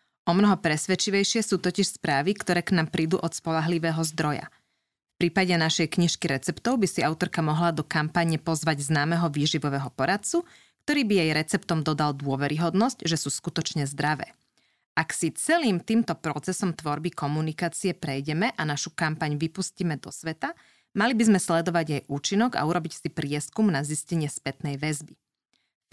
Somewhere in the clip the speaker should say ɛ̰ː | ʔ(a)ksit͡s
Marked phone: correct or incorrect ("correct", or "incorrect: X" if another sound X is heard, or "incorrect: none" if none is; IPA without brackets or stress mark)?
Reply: correct